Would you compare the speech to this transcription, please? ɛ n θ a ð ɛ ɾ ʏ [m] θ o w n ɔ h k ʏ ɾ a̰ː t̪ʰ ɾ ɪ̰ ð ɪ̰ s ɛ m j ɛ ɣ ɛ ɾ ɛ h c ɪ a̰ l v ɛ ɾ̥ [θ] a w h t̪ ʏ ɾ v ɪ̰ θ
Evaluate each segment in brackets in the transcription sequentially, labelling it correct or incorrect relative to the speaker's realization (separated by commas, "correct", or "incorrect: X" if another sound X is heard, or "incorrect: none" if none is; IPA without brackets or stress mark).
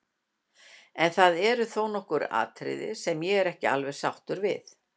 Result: incorrect: none, incorrect: s